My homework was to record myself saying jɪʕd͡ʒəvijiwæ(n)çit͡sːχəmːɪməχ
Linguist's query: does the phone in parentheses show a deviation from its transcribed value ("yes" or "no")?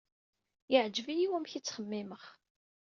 yes